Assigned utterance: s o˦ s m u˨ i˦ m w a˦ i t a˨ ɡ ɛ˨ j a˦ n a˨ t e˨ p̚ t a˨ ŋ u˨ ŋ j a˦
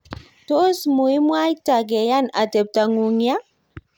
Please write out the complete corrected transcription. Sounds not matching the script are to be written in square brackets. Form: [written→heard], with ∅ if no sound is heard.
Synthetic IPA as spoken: [s→t] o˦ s m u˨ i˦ m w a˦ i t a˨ ɡ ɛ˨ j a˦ n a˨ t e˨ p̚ t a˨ ŋ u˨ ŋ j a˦